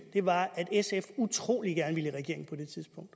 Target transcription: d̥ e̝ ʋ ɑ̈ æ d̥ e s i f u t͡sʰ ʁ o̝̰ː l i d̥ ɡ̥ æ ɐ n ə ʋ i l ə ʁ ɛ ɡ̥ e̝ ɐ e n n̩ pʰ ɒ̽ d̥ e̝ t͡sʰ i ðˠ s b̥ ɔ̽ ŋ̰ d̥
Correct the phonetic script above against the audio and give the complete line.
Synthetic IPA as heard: d̥ e̝ ʋ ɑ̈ æ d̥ e s e f u t͡sʰ ʁ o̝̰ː l i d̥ ɡ̥ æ ɐ n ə ʋ i l ə ʁ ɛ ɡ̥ e̝ ɐ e ŋ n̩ pʰ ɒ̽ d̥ e̝ t͡sʰ i ðˠ s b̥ ɔ̽ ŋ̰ d̥